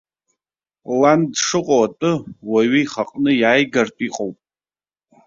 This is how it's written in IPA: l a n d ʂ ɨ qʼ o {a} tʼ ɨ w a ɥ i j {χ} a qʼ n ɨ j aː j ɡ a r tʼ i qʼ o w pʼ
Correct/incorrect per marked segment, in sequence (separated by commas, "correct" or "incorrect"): correct, correct